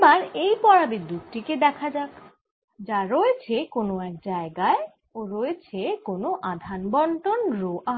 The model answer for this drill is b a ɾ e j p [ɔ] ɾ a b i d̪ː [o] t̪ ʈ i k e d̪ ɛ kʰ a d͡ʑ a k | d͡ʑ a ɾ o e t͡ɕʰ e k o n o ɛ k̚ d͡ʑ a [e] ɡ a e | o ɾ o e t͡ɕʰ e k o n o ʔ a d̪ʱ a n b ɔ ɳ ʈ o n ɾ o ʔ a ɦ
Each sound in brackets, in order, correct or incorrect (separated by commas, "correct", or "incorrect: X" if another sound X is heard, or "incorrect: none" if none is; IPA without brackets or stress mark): correct, incorrect: u, correct